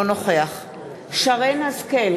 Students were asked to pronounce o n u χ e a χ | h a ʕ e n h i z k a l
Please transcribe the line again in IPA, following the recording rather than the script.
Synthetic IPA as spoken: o n o χ e a χ | ʃ a ʁ e n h a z k e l

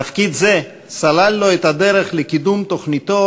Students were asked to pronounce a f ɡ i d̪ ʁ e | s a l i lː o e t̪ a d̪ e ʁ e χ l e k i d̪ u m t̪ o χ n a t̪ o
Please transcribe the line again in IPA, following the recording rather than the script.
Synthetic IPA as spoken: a f k i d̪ z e | s a l a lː o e t̪ a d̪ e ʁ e χ l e k i d̪ u m t̪ o χ n i t̪ o

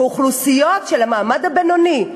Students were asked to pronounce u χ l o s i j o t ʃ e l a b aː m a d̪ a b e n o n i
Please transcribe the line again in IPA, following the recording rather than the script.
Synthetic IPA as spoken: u χ l u s i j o t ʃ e l a m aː m a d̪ a b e n o n i

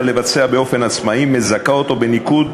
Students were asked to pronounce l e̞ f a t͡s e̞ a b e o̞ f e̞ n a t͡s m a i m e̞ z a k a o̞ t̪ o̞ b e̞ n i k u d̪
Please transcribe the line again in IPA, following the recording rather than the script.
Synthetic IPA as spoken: l e̞ v a t͡s e̞ a b e o̞ f e̞ n a t͡s m a i m e̞ z a k a o̞ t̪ o̞ b e̞ n i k u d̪

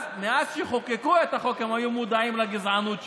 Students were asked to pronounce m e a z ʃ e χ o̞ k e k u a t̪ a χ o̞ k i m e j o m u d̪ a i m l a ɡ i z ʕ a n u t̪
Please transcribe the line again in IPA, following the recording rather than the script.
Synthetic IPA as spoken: m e a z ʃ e χ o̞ k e k u e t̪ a χ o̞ k e m a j u m u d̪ a i m l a ɡ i z ʕ a n u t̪

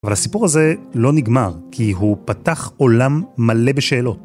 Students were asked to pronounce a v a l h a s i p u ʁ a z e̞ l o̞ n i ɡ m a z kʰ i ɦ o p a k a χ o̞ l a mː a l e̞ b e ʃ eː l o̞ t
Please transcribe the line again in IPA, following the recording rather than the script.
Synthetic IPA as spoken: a v a l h a s i p u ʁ a z e̞ l o̞ n i ɡ m a ʁ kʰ i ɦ u p a t a χ o̞ l a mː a l e̞ b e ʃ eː l o̞ t

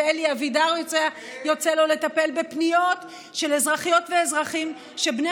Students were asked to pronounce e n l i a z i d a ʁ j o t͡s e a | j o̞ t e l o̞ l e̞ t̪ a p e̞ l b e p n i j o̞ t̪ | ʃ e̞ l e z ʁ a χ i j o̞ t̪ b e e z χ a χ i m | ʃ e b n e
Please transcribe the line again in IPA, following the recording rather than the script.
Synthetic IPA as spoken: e l i a v i d a ʁ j o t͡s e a | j o̞ t͡s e l o̞ l e̞ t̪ a p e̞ l b e p n i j o̞ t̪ | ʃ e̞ l e z ʁ a χ i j o̞ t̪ v e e z ʁ a χ i m | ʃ e b n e

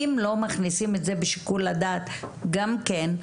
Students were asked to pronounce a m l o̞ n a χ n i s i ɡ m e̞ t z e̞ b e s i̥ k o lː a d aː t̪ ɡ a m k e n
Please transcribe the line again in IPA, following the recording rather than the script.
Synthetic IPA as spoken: i m l o̞ m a χ n i s i m e̞ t z e̞ b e ʃ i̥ k u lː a d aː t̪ ɡ a m k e n

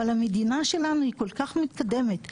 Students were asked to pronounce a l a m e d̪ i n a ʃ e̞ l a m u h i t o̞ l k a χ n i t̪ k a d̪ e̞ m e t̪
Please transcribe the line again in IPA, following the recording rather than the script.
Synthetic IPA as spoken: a l a m e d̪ i n a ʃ e̞ l a n u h i k o̞ l k a χ m i t̪ k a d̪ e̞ m e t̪

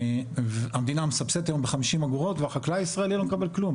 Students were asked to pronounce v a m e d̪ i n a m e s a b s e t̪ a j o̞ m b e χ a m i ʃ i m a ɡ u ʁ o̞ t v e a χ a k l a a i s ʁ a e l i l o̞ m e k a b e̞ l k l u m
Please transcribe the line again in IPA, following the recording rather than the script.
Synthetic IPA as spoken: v a m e d̪ i n a m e s a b s e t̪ a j o̞ m b e χ a m i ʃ i m a ɡ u ʁ o̞ t v e a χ a k l a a i s ʁ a e l i l o̞ m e k a b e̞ l k l u m

